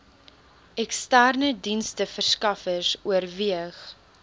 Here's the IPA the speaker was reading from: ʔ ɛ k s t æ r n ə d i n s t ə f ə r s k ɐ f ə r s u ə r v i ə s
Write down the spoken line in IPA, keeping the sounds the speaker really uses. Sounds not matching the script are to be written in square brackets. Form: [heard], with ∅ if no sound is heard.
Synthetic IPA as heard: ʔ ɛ k s t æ r n ə d i n s t ə f ə r s k ɐ f ə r s u ə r v i ə [χ]

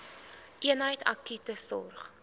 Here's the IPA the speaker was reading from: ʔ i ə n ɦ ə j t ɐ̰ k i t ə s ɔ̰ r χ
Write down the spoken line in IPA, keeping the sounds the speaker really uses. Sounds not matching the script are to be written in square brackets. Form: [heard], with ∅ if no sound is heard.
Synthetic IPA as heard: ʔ i ə n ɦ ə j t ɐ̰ k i t ə s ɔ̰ r χ

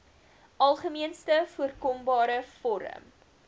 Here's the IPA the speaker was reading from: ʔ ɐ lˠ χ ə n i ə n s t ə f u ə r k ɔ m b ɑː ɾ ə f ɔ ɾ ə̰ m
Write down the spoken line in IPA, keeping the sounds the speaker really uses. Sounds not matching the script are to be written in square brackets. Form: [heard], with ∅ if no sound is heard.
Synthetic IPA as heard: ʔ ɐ lˠ χ ə [m] i ə n s t ə f u ə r k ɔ m b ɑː ɾ ə f ɔ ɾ ə̰ m

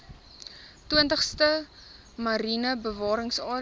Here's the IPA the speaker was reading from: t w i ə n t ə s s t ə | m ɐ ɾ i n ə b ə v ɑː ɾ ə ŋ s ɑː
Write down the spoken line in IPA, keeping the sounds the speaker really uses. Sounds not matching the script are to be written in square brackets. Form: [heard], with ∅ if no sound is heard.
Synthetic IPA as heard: t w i ə n t ə [χ] s t ə | m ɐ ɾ i n ə b ə v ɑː ɾ ə ŋ s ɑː

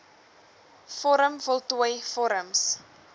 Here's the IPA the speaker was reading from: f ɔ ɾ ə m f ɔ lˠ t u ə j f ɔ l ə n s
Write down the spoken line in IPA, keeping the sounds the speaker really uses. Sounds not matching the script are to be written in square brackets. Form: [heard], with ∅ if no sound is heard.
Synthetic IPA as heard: f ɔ ɾ ə m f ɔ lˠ t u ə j f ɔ [ɾ] ə [m] s

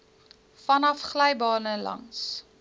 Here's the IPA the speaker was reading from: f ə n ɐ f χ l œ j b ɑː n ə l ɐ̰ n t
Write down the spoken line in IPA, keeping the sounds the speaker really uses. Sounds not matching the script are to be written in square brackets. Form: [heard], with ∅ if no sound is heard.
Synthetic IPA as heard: f [ɐ] n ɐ f χ l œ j b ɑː n ə l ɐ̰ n [s]

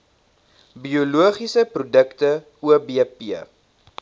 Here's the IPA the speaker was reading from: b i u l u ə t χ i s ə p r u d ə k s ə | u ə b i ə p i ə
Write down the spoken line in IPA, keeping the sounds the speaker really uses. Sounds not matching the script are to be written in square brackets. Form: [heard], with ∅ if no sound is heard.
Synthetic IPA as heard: b i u l u ə [∅] χ i s ə p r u d ə k [t] ə | u ə b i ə p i ə

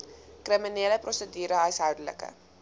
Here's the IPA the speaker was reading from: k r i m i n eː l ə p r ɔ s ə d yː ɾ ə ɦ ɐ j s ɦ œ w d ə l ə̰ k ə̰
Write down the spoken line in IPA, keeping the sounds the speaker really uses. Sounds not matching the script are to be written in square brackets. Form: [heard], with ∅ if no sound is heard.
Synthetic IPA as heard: k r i m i n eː l ə p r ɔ s ə d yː ɾ ə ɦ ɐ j s ɦ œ w d ə l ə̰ k ə̰

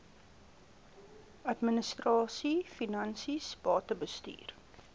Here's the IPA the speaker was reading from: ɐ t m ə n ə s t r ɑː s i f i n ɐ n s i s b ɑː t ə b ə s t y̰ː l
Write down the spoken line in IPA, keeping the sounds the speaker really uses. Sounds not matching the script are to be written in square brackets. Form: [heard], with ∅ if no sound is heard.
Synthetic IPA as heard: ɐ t m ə n ə s t r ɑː s i f i n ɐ n s i s b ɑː t ə b ə s t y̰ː [r]

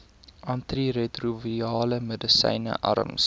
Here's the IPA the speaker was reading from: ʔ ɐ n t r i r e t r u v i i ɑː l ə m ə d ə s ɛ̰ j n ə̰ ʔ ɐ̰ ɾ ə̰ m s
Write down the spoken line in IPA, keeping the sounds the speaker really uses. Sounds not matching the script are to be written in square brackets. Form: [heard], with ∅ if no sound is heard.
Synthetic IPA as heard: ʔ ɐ n t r i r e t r u v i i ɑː l ə m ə d ə s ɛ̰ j n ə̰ ʔ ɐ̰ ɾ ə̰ m s

